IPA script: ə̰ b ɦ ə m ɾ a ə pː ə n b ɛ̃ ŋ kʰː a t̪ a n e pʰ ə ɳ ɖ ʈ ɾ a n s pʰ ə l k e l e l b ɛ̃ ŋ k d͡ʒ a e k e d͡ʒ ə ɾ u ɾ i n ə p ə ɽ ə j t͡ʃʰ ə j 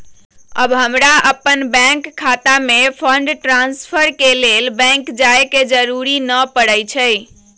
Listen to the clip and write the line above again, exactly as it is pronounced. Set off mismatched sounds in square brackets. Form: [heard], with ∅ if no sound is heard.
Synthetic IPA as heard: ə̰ b ɦ ə m ɾ a ə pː ə n b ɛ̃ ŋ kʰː a t̪ a [m] e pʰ ə ɳ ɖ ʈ ɾ a n s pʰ ə [ɾ] k e l e l b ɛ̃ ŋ k d͡ʒ a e k e d͡ʒ ə ɾ u ɾ i n ə p ə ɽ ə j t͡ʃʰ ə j